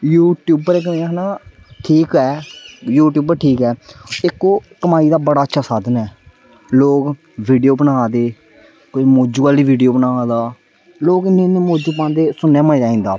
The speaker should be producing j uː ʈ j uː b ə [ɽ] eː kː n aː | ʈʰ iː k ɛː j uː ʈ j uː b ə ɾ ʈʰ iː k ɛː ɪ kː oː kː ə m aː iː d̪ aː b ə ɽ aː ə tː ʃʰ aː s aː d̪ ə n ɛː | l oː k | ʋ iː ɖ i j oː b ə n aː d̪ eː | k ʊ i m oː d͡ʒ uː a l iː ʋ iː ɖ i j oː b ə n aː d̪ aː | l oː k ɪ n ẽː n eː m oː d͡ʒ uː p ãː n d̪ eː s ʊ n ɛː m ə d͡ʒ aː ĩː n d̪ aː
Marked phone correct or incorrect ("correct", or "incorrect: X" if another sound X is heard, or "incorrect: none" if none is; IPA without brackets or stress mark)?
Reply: incorrect: ɾ